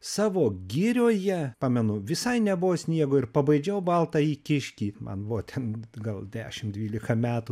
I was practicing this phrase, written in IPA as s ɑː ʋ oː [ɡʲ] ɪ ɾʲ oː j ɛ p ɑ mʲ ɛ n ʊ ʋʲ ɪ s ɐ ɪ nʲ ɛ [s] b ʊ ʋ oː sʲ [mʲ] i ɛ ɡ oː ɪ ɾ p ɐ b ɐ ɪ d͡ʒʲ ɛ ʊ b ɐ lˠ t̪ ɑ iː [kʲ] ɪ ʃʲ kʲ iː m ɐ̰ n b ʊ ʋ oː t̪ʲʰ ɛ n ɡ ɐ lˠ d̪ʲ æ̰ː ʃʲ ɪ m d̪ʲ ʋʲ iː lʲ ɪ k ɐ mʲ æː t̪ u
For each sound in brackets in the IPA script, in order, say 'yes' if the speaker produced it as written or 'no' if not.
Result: yes, no, no, yes

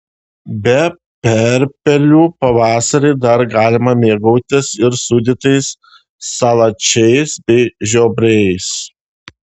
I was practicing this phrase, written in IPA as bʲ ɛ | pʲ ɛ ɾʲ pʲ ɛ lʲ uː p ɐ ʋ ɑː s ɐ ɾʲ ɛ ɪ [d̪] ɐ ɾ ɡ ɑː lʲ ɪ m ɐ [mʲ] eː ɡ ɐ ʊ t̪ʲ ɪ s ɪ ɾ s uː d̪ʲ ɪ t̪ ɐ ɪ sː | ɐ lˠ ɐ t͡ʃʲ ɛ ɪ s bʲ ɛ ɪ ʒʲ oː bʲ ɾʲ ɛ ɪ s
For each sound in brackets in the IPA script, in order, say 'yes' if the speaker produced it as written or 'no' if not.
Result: yes, yes

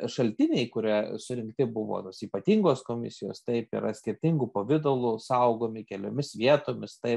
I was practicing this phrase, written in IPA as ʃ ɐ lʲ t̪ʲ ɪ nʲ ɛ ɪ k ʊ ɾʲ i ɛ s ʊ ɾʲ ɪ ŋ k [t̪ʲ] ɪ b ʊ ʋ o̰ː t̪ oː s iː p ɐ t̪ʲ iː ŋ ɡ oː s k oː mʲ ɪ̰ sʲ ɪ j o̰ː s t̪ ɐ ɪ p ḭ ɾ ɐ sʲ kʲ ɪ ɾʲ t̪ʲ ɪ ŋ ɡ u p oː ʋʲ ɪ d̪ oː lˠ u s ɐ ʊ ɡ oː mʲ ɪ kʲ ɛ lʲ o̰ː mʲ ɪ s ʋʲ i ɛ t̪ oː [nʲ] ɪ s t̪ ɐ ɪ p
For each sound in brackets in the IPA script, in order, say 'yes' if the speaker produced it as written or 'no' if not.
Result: yes, no

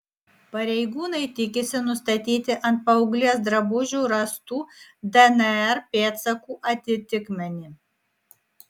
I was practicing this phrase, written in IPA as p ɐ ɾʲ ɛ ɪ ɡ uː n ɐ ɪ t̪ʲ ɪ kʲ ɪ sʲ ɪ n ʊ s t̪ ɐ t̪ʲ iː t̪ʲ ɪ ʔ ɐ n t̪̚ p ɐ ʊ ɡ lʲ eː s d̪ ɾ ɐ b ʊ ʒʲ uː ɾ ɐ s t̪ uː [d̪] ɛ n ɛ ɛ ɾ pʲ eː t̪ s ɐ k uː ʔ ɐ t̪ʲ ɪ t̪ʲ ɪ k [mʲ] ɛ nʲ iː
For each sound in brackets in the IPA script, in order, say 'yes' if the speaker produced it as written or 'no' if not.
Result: yes, yes

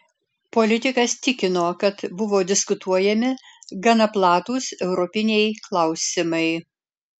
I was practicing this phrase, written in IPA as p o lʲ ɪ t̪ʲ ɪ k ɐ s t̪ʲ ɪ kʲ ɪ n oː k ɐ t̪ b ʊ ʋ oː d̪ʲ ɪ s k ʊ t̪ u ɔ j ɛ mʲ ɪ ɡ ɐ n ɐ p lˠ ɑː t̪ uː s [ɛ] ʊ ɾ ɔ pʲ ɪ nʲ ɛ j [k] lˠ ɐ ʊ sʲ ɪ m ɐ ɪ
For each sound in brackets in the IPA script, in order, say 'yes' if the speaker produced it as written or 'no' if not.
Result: yes, yes

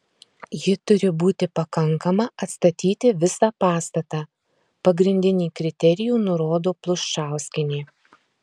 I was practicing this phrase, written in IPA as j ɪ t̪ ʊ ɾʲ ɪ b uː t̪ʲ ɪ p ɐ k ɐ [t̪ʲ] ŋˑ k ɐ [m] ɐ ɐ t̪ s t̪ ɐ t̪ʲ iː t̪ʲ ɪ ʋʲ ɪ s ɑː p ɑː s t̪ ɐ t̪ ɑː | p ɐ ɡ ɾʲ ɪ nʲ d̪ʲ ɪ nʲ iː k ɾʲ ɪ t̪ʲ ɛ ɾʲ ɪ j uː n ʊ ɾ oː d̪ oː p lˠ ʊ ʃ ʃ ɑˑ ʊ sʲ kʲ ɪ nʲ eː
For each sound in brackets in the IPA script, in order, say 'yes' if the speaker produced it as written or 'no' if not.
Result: no, yes

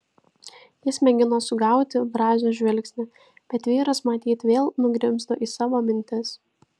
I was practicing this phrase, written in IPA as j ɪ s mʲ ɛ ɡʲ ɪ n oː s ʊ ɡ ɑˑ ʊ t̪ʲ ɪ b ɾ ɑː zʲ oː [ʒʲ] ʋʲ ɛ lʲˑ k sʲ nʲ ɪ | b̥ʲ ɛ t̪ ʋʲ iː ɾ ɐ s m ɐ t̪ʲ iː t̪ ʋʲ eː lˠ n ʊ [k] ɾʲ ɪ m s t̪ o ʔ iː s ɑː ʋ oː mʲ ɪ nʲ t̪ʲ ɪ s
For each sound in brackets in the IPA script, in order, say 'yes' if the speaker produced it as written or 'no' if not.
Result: yes, no

